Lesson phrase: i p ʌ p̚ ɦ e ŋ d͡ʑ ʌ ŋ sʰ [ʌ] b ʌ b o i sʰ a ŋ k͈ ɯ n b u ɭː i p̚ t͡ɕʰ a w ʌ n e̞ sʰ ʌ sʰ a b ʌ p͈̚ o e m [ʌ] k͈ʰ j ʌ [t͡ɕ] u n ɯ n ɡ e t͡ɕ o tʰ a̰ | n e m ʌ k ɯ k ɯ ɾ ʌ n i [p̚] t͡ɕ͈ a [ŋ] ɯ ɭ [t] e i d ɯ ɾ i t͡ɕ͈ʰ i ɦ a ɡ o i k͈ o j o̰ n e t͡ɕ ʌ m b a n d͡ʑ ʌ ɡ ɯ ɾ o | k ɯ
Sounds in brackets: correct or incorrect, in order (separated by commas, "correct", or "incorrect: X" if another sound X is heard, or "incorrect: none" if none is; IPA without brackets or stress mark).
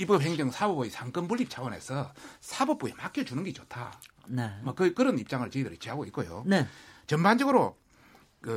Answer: incorrect: a, incorrect: a, correct, correct, correct, incorrect: t͡ɕ